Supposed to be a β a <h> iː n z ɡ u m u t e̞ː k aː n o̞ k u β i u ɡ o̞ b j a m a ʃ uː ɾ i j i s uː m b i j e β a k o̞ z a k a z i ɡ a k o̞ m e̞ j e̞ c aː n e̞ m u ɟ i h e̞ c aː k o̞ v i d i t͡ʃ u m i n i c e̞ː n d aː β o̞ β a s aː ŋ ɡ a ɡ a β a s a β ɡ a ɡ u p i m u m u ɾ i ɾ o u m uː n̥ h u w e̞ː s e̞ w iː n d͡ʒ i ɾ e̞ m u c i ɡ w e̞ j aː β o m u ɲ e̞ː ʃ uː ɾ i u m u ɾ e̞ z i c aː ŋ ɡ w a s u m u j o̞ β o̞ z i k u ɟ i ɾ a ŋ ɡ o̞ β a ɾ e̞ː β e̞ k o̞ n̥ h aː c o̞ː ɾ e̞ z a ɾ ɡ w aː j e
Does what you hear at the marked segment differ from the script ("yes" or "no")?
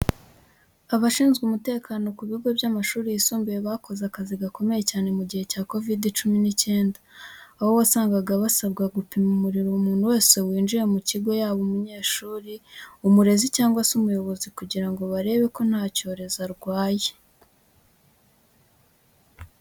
yes